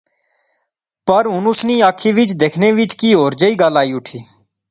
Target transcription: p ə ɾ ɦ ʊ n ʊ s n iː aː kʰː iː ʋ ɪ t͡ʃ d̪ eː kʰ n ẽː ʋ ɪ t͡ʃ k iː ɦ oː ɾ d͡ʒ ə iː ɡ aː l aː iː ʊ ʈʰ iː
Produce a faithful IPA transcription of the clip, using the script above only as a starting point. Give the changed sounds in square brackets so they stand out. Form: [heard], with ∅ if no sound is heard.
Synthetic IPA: p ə ɾ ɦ ʊ n ʊ s n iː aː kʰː iː ʋ ɪ t͡ʃ d̪ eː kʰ n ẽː ʋ ɪ t͡ʃ k iː ɦ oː ɾ d͡ʒ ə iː ɡ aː l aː iː ʊ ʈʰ iː